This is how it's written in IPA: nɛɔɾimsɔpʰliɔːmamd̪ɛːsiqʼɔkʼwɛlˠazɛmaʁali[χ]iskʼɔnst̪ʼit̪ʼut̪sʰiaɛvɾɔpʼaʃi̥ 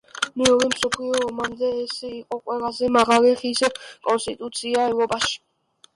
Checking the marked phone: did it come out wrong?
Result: no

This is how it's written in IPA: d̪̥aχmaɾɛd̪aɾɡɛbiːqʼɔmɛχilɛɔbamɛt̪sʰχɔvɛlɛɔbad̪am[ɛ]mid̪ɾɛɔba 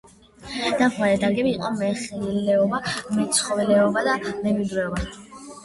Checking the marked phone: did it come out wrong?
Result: no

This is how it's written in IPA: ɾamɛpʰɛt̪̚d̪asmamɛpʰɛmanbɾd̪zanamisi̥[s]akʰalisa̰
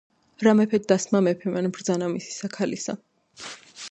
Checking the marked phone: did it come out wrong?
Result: no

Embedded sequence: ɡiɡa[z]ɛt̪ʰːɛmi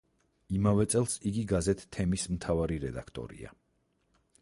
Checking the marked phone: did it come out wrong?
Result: no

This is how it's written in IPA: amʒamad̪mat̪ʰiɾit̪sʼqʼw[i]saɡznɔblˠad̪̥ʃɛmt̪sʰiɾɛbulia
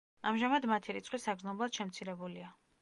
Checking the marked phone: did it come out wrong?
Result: no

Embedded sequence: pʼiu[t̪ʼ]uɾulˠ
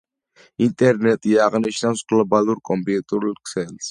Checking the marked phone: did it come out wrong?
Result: no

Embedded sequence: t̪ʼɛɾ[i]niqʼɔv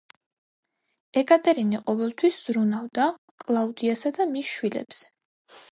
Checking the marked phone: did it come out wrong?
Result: no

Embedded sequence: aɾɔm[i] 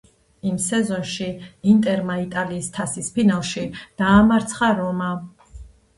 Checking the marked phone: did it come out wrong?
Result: yes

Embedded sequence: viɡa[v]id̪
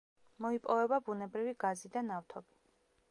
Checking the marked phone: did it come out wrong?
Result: yes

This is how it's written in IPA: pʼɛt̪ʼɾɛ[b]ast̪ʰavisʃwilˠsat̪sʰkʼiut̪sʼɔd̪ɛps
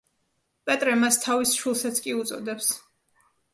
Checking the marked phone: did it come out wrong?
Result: yes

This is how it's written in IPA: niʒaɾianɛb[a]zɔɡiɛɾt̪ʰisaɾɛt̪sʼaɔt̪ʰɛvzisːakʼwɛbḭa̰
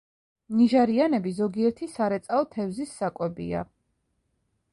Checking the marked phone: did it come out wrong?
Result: yes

